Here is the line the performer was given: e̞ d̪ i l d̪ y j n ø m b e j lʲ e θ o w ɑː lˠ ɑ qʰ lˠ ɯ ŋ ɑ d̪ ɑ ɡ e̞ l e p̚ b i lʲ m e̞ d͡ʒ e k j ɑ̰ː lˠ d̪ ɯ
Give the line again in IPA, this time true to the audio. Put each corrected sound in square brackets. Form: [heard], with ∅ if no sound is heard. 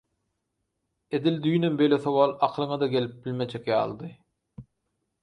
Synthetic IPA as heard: e̞ d̪ i l d̪ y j n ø m b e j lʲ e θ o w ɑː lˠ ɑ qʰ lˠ ɯ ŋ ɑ d̪ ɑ ɡ e̞ l [i] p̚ b i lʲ m e̞ d͡ʒ e k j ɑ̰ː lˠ d̪ ɯ